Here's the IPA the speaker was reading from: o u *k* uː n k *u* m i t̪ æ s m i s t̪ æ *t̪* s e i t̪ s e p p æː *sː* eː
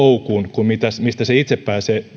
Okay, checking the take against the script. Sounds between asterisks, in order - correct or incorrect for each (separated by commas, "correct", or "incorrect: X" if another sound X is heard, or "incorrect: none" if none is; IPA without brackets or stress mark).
correct, correct, incorrect: none, incorrect: s